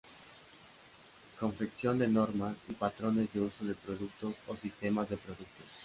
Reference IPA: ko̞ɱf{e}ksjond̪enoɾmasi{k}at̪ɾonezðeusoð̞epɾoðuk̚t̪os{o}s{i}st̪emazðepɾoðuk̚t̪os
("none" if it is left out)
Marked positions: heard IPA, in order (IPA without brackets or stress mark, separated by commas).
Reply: e, p, o, i